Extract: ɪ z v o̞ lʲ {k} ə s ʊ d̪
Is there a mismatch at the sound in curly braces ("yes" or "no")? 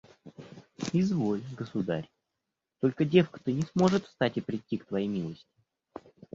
yes